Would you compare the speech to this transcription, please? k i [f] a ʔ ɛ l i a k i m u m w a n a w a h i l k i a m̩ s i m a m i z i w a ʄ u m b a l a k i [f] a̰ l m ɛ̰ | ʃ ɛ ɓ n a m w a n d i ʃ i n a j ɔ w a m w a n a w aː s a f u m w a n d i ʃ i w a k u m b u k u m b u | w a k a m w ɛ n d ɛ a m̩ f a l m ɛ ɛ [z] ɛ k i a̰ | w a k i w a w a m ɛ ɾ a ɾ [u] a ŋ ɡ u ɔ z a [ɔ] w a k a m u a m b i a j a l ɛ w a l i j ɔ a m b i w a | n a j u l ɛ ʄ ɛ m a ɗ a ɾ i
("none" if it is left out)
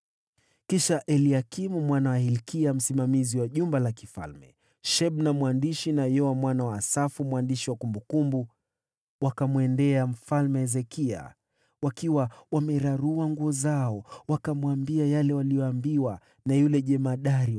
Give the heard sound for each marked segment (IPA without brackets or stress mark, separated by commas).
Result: ʃ, f, z, u, ɔ